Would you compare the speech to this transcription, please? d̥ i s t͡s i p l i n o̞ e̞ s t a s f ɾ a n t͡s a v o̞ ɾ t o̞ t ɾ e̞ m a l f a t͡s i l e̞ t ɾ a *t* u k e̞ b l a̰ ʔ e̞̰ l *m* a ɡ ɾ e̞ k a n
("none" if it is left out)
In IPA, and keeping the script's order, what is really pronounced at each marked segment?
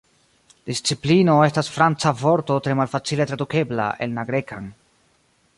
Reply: d, n

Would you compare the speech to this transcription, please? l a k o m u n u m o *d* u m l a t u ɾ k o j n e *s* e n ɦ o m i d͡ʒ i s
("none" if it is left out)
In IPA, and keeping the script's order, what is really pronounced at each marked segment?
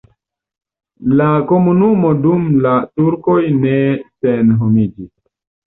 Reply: d, s

